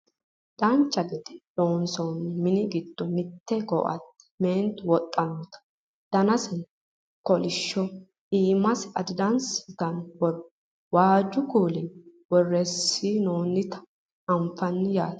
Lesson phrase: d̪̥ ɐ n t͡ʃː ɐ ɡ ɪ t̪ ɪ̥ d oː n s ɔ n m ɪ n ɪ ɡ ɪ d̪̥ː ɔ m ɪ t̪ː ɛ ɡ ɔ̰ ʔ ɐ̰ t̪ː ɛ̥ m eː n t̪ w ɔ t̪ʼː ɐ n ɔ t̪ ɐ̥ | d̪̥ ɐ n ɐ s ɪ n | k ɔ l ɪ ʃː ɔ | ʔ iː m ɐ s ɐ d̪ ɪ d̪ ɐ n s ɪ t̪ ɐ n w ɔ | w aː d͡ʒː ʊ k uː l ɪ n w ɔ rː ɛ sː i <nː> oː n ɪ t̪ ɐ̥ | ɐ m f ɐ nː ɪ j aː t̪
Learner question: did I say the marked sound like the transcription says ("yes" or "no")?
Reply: no